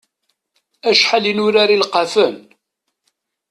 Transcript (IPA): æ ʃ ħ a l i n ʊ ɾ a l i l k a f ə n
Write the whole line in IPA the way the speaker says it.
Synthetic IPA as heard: æ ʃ ħ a l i n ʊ ɾ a ɾ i l q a f ə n